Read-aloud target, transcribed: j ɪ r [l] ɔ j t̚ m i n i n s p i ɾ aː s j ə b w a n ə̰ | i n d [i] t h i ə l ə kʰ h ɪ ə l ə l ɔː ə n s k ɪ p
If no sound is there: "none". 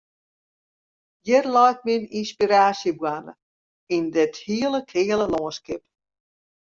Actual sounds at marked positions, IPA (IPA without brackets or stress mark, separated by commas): l, ɪ